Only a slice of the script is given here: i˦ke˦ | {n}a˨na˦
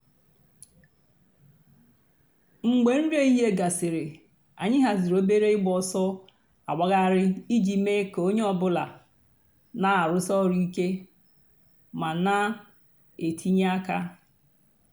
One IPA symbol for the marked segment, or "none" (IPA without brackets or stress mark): m